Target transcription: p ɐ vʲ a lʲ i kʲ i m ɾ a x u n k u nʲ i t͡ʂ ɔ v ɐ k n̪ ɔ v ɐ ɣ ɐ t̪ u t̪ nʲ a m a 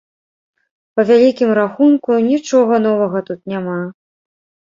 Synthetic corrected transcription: p ɐ vʲ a lʲ i kʲ i m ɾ a x u n k u nʲ i t͡ʂ ɔ ɣ ɐ n̪ ɔ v ɐ ɣ ɐ t̪ u t̪ nʲ a m a